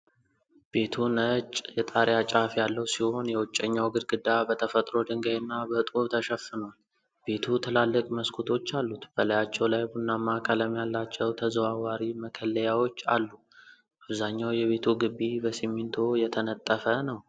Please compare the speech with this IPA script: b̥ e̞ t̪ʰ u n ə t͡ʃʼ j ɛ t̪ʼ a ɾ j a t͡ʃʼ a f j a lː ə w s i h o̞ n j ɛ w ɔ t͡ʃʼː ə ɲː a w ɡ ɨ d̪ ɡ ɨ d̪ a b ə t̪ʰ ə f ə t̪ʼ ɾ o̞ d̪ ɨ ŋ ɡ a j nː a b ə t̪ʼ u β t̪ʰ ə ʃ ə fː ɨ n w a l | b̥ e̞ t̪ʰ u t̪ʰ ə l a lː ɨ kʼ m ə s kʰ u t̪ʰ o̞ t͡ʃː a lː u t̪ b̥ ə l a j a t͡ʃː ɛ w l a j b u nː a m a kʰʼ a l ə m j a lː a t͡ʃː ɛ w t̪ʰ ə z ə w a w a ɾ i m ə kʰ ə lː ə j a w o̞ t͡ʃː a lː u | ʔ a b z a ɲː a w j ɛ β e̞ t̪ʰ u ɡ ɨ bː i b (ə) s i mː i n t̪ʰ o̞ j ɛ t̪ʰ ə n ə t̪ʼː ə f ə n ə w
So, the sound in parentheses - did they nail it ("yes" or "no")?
yes